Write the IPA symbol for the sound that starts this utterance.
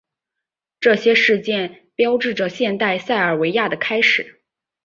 ʈ͡ʂ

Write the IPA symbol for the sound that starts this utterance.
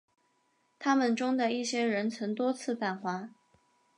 t̪ʰ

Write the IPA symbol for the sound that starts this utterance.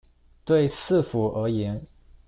t̪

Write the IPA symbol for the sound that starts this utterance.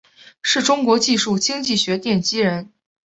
ʂ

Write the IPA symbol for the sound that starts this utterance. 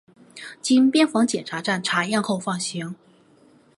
t͡ɕ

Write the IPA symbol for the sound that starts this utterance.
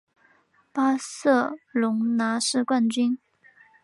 p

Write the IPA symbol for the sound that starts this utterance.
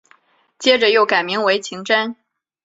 t͡ɕ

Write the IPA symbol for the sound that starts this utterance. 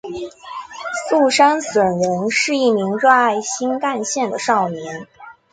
s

